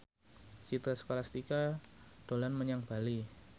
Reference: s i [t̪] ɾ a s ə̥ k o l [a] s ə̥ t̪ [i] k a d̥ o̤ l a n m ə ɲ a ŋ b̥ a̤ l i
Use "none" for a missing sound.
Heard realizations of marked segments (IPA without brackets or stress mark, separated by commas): t̪, a, i